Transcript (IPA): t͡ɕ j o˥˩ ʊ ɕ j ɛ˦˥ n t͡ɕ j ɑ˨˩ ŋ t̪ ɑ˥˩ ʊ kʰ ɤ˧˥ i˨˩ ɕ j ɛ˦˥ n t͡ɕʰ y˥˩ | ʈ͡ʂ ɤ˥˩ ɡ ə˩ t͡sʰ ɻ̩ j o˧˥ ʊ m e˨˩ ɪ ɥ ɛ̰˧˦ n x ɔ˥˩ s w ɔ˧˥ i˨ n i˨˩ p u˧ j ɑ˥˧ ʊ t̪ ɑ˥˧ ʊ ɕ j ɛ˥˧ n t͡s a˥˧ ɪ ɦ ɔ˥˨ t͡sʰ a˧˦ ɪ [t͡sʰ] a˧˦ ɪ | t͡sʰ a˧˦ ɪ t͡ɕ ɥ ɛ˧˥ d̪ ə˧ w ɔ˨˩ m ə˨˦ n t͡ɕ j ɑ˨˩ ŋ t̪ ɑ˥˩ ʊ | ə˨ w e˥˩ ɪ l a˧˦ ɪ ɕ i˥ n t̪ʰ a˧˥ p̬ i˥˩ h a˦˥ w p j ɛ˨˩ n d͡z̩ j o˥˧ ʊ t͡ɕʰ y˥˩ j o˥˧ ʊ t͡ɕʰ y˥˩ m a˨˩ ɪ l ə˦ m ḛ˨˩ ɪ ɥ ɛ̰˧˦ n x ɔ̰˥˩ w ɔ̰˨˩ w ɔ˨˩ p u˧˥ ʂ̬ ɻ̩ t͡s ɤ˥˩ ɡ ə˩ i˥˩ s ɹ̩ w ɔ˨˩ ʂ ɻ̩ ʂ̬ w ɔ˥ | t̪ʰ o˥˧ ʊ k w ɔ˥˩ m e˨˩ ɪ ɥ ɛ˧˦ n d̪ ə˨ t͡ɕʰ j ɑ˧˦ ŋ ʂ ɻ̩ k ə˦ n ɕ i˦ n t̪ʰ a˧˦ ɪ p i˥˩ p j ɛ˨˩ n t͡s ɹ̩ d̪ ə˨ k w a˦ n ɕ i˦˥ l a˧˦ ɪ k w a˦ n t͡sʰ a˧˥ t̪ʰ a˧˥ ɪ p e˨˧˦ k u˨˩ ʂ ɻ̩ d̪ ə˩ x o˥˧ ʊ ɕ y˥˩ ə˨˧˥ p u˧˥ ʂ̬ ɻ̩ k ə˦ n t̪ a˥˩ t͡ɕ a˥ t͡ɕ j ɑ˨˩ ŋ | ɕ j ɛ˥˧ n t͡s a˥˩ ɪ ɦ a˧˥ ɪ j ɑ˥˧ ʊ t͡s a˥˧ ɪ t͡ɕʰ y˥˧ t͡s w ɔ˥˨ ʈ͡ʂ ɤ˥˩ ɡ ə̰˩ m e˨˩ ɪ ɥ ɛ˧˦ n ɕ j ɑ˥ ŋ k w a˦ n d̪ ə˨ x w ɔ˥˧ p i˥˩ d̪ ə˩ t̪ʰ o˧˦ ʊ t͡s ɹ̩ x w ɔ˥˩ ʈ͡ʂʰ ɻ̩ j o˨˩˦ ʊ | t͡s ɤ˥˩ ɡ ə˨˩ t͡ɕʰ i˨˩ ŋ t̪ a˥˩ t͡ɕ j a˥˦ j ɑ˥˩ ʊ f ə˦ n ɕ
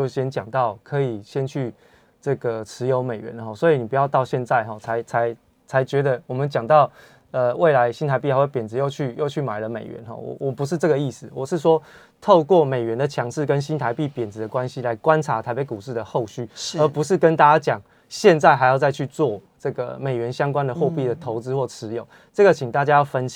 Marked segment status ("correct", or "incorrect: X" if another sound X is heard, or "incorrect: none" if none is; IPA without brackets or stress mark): correct